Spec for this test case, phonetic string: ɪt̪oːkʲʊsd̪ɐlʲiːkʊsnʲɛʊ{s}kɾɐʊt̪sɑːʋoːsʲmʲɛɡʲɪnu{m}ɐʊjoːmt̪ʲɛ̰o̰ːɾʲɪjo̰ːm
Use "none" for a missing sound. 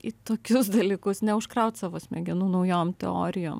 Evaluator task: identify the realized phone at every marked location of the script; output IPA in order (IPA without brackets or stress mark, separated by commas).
ʃ, n